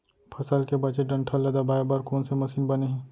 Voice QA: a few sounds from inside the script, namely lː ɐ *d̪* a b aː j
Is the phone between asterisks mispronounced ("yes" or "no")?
no